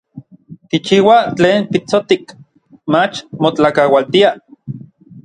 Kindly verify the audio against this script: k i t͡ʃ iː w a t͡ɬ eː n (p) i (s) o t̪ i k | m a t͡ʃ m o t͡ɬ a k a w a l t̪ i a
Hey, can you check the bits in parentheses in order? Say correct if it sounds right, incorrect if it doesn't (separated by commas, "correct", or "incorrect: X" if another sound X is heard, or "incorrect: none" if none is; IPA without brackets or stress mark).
correct, incorrect: t͡s